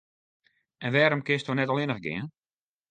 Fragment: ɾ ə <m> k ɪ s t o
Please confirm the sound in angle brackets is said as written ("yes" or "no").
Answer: yes